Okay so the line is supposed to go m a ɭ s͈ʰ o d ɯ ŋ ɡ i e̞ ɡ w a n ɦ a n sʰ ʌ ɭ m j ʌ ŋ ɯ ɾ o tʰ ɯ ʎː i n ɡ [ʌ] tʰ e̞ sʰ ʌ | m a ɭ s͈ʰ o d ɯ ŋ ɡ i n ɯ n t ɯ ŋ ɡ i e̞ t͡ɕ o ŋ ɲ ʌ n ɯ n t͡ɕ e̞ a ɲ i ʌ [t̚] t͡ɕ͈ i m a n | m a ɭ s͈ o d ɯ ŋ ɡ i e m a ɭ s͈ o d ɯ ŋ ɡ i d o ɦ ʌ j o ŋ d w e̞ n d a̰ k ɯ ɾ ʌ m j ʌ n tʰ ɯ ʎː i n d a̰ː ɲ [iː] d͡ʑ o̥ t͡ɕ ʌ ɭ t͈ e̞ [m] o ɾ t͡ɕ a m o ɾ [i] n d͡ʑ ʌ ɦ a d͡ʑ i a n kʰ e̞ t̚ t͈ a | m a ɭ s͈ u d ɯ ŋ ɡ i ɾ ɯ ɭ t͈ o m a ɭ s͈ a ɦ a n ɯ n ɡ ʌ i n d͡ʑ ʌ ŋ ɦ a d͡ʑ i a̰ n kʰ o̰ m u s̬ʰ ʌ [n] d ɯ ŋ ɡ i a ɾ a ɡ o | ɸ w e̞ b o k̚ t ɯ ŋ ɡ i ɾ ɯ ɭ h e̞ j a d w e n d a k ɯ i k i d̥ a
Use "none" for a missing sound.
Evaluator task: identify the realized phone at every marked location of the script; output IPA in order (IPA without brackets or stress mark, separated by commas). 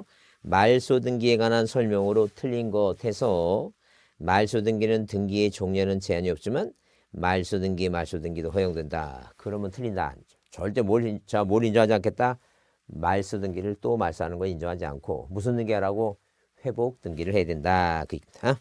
ʌ, p̚, i, m, i, n